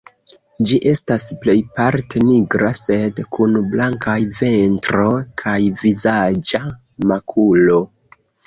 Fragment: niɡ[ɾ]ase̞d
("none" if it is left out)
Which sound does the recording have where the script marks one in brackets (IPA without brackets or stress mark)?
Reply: ɾ